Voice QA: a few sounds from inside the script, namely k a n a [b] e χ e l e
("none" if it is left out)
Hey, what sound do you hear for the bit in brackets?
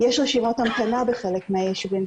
b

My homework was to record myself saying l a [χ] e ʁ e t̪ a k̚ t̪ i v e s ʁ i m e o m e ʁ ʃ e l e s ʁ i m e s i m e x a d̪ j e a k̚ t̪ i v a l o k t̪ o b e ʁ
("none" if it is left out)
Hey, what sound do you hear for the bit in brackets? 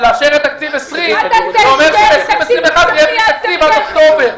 ʃ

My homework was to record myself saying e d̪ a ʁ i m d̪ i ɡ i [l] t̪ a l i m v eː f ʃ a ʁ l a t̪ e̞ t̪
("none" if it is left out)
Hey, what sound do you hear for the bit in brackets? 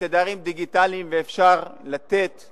none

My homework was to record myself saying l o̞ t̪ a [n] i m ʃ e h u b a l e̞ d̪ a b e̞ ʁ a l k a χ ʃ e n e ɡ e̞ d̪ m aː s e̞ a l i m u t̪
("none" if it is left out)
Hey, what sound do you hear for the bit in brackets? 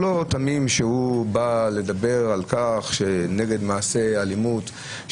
m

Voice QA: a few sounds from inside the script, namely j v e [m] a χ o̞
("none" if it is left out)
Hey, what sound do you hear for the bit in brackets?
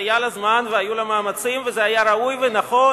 n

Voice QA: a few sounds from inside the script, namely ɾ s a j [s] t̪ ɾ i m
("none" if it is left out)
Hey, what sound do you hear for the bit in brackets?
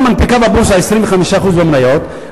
s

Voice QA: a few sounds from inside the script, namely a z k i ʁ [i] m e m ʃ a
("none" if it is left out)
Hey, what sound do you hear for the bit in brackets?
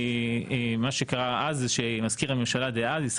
a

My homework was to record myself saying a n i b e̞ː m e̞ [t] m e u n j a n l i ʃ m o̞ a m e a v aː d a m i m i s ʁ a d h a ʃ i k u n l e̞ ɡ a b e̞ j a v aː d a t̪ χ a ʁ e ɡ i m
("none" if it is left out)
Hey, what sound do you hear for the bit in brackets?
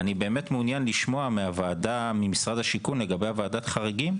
t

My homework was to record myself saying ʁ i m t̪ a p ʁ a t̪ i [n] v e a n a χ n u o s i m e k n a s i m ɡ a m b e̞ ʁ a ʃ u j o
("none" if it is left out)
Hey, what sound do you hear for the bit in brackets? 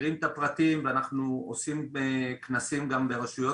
m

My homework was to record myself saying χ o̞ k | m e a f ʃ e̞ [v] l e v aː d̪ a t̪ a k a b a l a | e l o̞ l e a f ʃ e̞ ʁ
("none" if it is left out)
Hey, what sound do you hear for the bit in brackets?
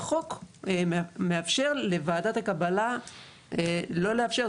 ʁ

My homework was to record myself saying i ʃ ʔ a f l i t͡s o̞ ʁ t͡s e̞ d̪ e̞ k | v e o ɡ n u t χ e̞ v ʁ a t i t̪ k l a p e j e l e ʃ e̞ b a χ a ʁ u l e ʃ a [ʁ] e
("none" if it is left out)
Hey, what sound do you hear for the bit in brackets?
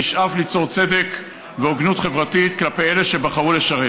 ʁ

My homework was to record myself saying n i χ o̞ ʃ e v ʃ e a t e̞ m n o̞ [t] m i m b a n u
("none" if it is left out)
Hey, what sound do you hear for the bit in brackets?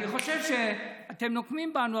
k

